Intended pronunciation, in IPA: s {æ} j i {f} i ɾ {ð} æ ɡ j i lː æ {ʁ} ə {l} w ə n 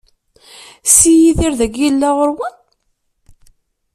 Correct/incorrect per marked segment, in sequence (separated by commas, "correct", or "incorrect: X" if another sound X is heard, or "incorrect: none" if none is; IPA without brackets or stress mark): incorrect: i, incorrect: θ, correct, correct, incorrect: ɾ